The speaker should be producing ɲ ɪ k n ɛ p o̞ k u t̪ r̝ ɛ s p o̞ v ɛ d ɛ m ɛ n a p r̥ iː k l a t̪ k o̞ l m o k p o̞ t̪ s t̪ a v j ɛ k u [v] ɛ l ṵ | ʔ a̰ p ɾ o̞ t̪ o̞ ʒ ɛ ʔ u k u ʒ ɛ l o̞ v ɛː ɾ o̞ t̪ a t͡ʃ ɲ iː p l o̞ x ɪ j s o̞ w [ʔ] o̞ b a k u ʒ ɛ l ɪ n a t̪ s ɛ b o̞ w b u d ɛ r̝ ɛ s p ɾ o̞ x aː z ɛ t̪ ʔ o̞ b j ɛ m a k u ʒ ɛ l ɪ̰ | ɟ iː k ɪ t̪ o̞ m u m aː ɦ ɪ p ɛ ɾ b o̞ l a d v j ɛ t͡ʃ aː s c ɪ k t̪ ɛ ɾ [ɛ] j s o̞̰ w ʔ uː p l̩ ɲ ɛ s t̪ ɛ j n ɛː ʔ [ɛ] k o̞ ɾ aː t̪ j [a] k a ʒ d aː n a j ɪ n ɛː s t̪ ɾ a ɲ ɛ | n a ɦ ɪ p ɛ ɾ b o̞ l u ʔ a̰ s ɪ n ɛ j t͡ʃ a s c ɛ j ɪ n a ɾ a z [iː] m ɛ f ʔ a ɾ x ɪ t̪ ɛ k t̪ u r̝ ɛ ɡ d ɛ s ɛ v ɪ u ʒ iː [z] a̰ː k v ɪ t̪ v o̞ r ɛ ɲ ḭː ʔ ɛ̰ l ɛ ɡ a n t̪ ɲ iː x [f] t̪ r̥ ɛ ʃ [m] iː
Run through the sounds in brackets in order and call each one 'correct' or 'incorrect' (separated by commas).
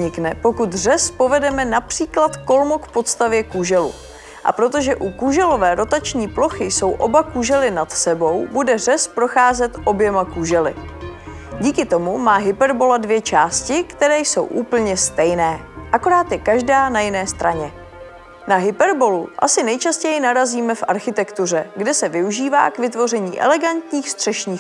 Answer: incorrect, correct, incorrect, incorrect, incorrect, correct, incorrect, incorrect, incorrect